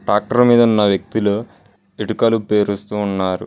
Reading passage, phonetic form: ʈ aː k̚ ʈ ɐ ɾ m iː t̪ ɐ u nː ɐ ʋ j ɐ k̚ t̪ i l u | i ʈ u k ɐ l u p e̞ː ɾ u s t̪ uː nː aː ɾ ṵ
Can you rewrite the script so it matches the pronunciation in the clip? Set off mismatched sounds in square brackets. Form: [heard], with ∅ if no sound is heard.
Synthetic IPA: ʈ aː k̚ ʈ ɐ ɾ m iː [d̪] ɐ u nː ɐ ʋ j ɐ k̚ t̪ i l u | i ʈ u k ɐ l u p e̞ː ɾ u s t̪ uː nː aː ɾ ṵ